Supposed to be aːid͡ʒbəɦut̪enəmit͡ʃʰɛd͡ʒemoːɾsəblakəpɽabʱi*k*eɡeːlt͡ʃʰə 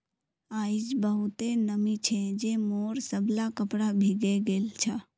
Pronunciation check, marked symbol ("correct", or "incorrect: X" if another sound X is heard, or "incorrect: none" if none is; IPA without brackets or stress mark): incorrect: ɡ